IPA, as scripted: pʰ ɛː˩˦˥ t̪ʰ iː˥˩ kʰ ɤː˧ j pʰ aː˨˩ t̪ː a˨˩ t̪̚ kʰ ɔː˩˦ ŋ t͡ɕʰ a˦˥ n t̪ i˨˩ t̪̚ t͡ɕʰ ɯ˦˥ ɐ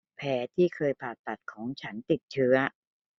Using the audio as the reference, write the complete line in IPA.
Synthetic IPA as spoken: pʰ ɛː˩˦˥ t̪ʰ iː˥˩ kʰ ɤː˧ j pʰ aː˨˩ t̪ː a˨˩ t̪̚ kʰ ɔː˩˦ ŋ t͡ɕʰ a˦˥ n t̪ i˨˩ t̪̚ t͡ɕʰ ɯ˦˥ ɐ